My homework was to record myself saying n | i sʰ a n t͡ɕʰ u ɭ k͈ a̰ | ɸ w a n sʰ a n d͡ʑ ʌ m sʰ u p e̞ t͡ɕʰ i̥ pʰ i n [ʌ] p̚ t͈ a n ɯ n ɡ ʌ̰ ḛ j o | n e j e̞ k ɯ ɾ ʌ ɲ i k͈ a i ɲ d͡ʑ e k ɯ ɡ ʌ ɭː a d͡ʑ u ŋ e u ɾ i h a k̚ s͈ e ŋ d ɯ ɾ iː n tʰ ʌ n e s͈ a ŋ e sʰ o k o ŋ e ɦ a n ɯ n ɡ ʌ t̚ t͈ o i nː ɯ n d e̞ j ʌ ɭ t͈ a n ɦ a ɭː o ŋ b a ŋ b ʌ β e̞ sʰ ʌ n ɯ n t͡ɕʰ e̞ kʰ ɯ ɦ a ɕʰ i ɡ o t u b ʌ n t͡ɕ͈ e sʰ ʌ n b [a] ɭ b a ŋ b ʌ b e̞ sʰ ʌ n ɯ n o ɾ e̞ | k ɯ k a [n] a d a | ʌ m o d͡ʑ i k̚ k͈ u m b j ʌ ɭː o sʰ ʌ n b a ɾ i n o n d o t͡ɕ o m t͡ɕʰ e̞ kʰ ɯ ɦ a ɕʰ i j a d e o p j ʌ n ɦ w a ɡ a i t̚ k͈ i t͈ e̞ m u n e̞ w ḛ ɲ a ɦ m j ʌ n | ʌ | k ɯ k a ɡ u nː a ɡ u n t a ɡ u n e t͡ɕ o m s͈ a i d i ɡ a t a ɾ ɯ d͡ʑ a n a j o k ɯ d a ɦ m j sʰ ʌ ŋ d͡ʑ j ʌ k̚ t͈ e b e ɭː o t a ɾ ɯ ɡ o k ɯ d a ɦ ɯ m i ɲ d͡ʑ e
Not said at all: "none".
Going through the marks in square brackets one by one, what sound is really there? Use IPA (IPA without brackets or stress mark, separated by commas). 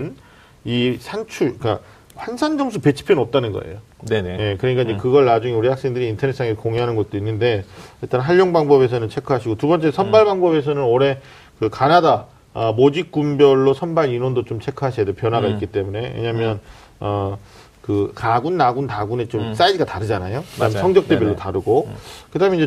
ʌ, a, n